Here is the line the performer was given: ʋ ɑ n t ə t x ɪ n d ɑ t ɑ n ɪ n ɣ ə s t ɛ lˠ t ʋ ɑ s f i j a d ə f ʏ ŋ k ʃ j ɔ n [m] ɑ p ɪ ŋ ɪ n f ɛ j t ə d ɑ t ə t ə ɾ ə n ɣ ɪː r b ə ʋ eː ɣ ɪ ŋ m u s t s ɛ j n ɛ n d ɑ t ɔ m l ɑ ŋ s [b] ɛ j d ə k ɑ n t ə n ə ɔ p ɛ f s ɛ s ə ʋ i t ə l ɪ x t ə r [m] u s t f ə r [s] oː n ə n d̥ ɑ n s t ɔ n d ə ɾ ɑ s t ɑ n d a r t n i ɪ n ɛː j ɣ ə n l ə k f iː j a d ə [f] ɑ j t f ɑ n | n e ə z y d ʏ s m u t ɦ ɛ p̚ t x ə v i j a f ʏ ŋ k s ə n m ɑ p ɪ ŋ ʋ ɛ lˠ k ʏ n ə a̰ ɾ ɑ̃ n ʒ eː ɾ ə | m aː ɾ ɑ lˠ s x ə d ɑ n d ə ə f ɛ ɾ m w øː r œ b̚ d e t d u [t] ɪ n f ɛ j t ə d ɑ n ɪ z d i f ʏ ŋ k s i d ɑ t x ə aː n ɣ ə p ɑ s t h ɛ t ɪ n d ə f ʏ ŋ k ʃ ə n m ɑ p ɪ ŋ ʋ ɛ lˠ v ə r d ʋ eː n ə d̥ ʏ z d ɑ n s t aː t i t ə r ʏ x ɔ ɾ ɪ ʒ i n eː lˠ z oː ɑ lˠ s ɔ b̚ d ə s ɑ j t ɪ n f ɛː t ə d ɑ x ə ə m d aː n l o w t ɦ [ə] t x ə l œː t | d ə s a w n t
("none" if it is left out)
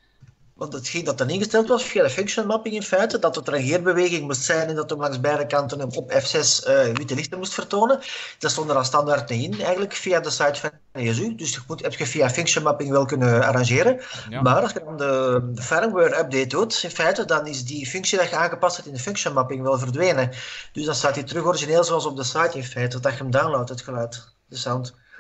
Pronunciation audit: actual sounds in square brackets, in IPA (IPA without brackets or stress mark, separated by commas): m, b, m, t, s, t, ə